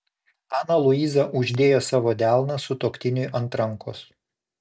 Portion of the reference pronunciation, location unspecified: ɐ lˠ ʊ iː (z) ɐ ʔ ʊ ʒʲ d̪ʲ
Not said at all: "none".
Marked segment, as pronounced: z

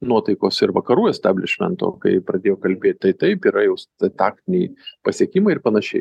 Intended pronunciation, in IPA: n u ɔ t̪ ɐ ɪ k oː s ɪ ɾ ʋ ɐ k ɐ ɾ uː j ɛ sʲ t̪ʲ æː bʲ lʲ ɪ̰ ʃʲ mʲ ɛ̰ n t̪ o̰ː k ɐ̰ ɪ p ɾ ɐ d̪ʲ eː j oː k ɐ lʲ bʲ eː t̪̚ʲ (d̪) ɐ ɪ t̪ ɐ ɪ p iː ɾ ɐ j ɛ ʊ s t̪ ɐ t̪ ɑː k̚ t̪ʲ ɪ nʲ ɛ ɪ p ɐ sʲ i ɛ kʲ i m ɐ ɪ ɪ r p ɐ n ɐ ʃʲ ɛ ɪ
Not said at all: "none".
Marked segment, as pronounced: t̪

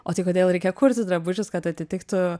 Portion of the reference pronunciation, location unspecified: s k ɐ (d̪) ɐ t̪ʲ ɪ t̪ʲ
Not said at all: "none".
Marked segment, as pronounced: t̪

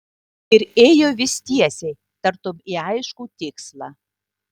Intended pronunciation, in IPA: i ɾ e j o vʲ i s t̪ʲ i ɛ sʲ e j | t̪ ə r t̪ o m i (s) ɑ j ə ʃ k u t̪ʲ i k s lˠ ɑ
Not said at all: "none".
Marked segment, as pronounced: none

